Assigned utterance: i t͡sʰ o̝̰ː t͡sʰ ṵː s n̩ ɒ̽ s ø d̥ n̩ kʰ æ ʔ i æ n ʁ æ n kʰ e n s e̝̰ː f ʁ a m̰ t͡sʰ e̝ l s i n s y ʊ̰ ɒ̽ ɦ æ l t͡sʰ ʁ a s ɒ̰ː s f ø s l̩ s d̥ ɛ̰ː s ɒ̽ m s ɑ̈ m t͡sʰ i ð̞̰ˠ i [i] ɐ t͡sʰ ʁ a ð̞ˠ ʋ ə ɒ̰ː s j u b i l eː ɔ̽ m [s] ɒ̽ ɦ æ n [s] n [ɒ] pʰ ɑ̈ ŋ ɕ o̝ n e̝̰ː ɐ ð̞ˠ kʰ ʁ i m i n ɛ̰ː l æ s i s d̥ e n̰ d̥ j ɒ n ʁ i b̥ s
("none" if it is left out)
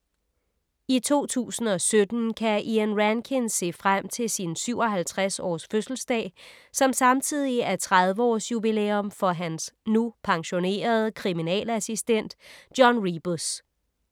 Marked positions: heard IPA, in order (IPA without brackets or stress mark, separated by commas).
æ, f, s, u